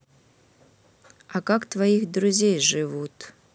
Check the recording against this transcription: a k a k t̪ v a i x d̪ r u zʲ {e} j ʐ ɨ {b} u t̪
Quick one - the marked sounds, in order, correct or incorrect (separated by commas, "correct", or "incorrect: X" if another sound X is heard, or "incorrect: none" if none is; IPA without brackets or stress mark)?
correct, incorrect: v